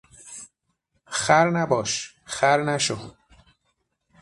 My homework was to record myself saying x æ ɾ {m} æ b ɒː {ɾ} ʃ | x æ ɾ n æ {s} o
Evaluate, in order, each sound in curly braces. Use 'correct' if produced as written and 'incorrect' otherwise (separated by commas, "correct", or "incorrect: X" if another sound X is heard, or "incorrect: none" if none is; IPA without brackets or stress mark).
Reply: incorrect: n, incorrect: none, incorrect: ʃ